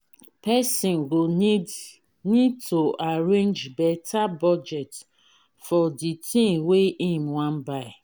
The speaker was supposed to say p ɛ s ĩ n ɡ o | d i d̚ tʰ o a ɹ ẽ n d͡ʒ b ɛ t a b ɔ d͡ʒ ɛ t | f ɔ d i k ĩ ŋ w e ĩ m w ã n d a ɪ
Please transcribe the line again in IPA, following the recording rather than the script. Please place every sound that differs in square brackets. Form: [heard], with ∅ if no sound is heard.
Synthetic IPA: p ɛ s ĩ n ɡ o | [n] i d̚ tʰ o a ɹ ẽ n d͡ʒ b ɛ t a b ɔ d͡ʒ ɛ t | f ɔ d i [t] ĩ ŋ w e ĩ m w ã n [b] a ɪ